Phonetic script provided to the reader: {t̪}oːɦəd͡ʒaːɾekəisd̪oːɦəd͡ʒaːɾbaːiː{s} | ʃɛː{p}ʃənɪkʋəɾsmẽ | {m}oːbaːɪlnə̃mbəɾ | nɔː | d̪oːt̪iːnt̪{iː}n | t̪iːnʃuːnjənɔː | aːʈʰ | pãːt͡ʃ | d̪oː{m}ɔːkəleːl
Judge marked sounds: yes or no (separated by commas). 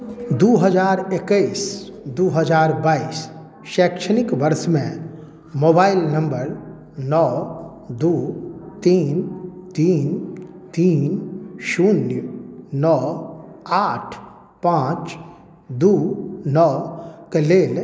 no, yes, no, yes, yes, no